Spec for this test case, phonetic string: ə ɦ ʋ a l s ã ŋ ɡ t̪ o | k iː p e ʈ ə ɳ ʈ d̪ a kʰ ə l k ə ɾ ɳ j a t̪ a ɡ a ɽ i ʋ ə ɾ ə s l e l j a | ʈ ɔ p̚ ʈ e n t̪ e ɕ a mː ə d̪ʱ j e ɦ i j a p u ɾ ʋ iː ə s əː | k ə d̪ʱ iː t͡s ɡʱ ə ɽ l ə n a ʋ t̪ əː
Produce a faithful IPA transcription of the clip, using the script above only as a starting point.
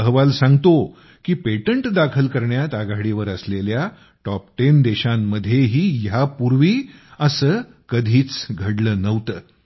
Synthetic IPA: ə ɦ ʋ a l s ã ŋ ɡ t̪ o | k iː p e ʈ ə ɳ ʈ d̪ a kʰ ə l k ə ɾ ɳ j a t̪ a ɡ a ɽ i ʋ ə ɾ ə s l e l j a | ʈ ɔ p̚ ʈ e n d̪ e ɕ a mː ə d̪ʱ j e ɦ iː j a p u ɾ ʋ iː ə s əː | k ə d̪ʱ iː t͡s ɡʱ ə ɽ l ə n ə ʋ t̪ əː